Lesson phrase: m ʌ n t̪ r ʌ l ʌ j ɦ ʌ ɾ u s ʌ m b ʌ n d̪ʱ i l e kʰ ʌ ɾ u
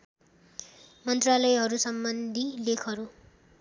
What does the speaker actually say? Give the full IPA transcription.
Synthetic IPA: m ʌ n t̪ r a l ʌ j ɦ ʌ ɾ u s ʌ m b ʌ n d̪ʱ i l e kʰ ʌ ɾ u